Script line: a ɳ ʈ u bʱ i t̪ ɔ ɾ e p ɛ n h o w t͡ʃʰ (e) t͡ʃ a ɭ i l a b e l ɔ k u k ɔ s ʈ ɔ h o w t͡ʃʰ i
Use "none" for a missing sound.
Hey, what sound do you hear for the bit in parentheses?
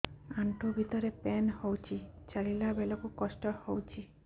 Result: i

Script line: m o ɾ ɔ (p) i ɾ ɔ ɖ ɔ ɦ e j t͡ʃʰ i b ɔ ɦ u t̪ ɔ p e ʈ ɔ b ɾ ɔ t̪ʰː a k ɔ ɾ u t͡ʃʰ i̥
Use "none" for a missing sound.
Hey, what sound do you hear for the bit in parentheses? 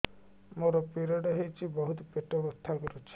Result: p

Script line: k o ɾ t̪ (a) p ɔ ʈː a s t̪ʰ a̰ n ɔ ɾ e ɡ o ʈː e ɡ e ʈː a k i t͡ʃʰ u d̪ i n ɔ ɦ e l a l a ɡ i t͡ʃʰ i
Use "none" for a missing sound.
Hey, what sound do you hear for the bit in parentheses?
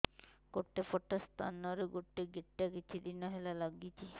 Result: e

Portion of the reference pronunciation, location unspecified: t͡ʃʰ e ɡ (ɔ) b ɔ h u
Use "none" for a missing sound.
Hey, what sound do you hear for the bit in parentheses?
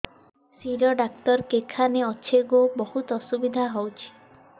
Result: o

